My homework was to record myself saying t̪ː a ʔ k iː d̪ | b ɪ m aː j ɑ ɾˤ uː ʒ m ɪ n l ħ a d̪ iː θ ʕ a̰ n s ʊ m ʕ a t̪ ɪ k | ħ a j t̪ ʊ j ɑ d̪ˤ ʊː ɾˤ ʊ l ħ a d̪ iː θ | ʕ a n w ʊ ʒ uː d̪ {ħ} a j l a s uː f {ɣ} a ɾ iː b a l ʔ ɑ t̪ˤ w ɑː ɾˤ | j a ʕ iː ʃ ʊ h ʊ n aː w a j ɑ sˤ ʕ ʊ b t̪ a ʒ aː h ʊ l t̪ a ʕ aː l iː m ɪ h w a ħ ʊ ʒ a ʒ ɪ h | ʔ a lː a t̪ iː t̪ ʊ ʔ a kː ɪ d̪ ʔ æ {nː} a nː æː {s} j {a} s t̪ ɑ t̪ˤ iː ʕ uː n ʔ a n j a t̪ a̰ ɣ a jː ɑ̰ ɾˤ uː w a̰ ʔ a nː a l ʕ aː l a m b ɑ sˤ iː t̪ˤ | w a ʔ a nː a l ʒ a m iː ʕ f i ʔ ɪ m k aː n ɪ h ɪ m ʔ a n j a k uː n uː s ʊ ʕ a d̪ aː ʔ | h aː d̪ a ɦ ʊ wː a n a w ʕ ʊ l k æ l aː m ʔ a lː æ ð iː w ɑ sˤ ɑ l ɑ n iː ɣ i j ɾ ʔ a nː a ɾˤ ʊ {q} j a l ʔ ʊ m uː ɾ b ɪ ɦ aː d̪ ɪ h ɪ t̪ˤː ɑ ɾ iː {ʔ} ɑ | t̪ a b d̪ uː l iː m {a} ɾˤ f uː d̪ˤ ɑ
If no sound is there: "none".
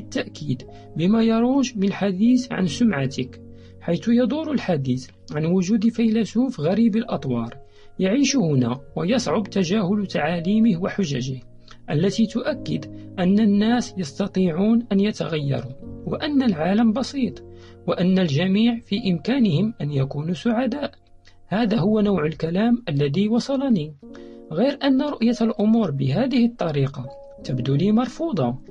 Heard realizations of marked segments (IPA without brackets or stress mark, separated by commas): f, ɣ, nː, s, ɑ, ʔ, q, ɑ